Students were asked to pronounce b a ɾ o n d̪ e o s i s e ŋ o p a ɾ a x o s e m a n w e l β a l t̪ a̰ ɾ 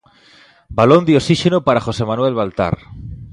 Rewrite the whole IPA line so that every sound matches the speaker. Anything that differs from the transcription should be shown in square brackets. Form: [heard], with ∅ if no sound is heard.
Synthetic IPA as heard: b a [l] o n d̪ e o s i [ʃ] e [n] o p a ɾ a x o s e m a n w e l β a l t̪ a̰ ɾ